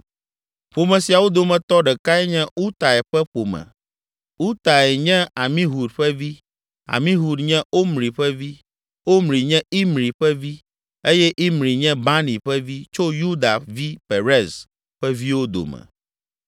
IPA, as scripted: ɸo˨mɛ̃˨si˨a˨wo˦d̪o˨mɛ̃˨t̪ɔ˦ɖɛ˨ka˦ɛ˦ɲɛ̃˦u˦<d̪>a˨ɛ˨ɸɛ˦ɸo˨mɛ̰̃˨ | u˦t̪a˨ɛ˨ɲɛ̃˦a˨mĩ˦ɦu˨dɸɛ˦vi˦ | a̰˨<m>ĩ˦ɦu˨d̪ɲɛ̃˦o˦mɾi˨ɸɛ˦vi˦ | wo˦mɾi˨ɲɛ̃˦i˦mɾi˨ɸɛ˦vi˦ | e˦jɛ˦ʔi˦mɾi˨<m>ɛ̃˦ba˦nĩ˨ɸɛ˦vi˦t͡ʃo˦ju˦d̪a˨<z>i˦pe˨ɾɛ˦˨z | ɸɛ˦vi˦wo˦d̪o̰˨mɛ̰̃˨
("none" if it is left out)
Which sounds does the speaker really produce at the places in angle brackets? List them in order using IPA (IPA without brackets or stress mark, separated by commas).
t̪, m, ɲ, v